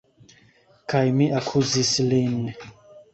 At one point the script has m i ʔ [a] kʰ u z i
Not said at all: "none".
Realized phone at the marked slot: a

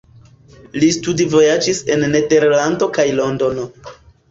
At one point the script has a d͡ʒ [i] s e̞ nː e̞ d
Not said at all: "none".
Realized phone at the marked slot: i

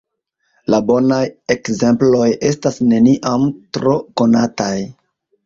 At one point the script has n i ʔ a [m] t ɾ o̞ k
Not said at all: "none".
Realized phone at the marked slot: m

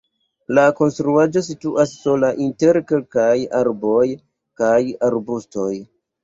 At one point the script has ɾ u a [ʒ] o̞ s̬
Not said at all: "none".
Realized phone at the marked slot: d͡ʒ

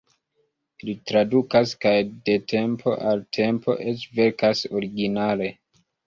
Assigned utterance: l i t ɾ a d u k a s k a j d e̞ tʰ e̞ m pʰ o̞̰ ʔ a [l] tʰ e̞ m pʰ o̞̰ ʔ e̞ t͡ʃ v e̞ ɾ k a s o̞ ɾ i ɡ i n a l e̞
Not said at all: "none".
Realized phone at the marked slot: l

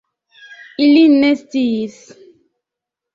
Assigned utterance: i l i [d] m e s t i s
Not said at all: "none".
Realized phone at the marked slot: n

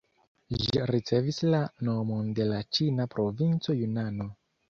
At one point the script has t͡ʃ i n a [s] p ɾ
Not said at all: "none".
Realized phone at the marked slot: none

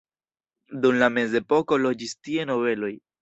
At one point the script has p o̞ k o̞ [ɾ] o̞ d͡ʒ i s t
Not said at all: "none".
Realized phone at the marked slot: l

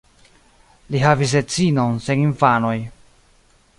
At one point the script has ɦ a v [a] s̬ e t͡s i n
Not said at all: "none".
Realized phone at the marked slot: i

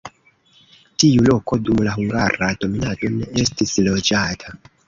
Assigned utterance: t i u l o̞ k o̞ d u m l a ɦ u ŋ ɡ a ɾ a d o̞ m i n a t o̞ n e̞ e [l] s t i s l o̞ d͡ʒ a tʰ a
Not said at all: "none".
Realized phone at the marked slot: none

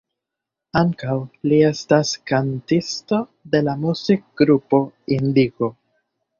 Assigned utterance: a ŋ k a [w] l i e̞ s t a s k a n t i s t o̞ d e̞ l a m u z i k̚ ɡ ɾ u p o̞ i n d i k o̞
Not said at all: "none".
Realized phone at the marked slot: w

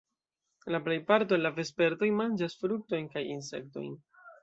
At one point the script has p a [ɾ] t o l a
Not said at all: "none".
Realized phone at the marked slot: ɾ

